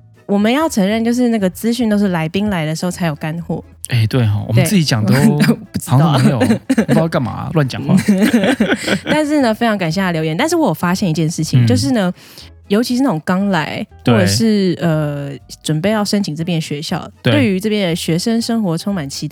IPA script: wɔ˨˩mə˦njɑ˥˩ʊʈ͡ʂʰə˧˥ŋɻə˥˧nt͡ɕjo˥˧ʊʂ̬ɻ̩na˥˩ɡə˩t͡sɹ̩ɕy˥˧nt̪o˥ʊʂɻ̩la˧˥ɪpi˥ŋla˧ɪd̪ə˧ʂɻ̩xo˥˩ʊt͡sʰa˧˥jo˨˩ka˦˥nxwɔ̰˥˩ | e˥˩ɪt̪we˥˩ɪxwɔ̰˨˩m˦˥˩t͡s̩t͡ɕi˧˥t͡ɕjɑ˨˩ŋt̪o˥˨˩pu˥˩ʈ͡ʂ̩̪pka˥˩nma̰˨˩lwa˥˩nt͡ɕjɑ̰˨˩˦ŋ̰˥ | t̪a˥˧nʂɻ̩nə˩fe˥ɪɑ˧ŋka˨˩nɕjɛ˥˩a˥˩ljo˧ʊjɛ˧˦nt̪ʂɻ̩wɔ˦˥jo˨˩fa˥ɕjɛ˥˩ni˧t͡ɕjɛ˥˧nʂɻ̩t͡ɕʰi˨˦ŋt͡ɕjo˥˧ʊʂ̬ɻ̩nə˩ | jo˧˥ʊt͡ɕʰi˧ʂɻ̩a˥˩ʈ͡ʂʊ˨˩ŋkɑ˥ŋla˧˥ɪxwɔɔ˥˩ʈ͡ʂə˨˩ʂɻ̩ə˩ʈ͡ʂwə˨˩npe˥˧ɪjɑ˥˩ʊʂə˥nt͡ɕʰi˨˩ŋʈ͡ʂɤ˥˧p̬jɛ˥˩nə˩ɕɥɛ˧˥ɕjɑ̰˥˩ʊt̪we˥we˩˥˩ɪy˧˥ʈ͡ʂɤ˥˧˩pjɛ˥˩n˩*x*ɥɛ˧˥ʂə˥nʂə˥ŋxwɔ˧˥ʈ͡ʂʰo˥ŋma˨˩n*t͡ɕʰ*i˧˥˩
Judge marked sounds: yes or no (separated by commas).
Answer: no, yes